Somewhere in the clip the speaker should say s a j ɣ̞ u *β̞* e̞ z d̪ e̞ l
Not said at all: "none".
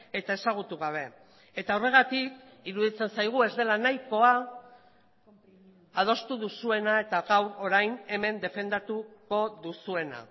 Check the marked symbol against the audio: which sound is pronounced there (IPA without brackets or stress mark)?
none